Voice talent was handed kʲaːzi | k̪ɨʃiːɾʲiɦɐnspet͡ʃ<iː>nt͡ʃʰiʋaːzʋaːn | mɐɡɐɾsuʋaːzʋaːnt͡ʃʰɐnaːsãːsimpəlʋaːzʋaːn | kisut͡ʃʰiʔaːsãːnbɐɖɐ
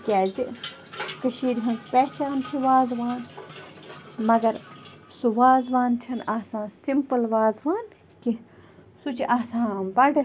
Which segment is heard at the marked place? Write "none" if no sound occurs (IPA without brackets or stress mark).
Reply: aː